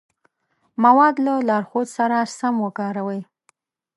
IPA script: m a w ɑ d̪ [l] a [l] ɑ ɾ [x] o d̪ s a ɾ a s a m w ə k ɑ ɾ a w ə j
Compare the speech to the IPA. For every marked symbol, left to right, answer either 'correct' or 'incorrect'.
correct, correct, correct

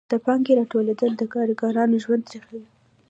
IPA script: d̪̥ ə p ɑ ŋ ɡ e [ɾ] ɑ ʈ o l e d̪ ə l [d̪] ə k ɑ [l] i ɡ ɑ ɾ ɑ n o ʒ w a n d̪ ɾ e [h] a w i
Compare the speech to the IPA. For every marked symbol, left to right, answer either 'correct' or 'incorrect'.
correct, correct, incorrect, incorrect

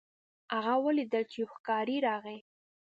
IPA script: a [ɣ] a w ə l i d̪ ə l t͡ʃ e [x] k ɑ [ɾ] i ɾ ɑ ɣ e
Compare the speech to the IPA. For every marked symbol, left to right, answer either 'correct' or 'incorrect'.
correct, correct, correct

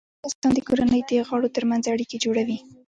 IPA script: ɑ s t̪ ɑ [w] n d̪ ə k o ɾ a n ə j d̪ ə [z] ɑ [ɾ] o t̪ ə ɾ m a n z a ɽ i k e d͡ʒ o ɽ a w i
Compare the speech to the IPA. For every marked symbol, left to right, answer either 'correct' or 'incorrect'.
incorrect, incorrect, incorrect

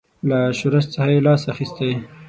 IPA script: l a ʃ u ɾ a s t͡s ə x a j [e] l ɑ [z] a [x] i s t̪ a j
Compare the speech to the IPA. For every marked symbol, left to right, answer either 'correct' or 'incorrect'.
correct, incorrect, correct

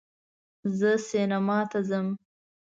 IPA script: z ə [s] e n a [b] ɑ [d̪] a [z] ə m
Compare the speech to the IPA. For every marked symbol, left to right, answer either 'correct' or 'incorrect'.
correct, incorrect, incorrect, correct

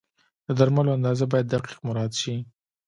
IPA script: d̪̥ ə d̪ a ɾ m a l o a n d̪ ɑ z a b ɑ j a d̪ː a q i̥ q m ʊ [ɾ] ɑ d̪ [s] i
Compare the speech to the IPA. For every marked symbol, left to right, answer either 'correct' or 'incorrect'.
correct, incorrect

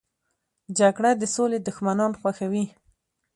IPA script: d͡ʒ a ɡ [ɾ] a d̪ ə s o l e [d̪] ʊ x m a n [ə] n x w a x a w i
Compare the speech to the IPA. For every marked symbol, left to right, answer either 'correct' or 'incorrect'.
incorrect, correct, incorrect

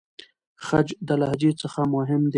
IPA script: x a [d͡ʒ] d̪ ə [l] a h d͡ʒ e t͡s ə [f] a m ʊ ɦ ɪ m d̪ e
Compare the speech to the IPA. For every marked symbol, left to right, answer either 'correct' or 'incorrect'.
correct, correct, incorrect

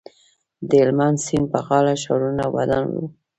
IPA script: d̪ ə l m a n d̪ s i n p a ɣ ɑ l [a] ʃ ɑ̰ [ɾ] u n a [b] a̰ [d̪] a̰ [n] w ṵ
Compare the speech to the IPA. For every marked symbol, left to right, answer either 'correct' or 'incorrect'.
correct, correct, incorrect, correct, correct

